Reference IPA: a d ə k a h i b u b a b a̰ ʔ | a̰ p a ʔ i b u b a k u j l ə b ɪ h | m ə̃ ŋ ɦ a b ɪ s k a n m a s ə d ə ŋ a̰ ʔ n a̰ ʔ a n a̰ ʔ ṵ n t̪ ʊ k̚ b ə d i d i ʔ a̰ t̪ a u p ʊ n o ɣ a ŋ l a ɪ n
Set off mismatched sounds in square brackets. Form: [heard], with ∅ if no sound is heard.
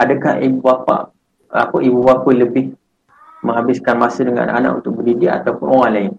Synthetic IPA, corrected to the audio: a d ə k a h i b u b a [p] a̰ ʔ | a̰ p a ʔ i b u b a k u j l ə b ɪ h | m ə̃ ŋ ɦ a b ɪ s k a n m a s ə d ə ŋ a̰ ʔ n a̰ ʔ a n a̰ ʔ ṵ n t̪ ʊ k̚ b ə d i d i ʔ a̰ t̪ a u p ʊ n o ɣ a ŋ l a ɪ n